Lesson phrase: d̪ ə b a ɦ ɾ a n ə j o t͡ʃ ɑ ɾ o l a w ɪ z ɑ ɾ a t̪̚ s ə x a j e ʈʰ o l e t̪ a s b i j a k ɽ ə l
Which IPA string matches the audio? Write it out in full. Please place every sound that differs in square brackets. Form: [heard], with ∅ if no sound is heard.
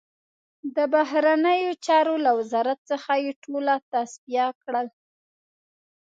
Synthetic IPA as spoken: d̪ ə b a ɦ ɾ a n ə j o t͡ʃ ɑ ɾ o l a w ɪ z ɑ ɾ a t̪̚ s ə x a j e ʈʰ o l [a] t̪ a s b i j a k ɽ ə l